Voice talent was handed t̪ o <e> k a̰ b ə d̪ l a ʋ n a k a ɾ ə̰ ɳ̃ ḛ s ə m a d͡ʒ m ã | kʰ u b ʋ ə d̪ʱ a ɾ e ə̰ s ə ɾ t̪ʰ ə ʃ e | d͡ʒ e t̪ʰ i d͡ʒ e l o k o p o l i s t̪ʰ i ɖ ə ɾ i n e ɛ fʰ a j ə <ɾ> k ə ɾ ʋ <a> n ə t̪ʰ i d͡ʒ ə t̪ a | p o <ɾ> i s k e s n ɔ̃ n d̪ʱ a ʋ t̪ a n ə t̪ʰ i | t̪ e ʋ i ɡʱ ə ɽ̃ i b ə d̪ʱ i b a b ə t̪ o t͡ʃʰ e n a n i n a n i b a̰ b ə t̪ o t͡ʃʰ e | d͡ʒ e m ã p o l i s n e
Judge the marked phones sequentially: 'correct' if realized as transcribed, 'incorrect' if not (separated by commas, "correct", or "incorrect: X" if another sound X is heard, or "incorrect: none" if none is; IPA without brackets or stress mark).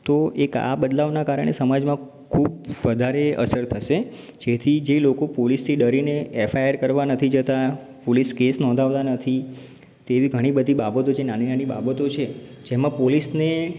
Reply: correct, correct, correct, incorrect: l